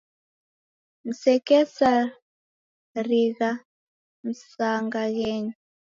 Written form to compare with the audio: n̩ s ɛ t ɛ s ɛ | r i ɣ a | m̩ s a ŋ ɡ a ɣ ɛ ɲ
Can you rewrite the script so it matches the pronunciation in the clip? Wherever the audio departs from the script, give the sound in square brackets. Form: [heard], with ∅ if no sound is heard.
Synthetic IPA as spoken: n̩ s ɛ [k] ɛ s [a] | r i ɣ a | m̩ s a ŋ ɡ a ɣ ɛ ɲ